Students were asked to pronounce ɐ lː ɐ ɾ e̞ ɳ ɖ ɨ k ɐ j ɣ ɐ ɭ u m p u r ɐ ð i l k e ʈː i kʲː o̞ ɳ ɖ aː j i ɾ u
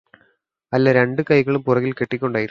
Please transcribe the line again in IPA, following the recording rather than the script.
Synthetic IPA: ɐ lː ɐ ɾ e̞ ɳ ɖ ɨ k ɐ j ɣ ɐ ɭ u m p u r ɐ ɣ i l k e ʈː i kʲː o̞ ɳ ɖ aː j i ɾ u